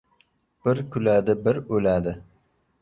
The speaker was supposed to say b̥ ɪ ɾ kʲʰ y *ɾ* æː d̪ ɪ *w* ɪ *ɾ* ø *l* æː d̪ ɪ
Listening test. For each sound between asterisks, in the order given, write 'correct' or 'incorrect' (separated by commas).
incorrect, incorrect, correct, correct